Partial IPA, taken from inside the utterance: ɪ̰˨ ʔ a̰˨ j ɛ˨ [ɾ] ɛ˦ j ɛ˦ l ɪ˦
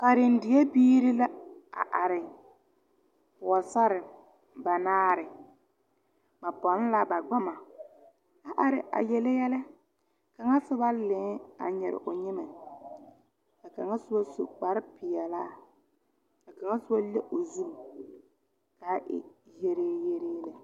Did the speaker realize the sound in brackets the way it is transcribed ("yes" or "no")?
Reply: no